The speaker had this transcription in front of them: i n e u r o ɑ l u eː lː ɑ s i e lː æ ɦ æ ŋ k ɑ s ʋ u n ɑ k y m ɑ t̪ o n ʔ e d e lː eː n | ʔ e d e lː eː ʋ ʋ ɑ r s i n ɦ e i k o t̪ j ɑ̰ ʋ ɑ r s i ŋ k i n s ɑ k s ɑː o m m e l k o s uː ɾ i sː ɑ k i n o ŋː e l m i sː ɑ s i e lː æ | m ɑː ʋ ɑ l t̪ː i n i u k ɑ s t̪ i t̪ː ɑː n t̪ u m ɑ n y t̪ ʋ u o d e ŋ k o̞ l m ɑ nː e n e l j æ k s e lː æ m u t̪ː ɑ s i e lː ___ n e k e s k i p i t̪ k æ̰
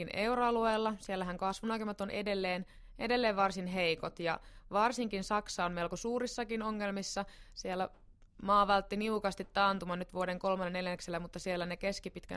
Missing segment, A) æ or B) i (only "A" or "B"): A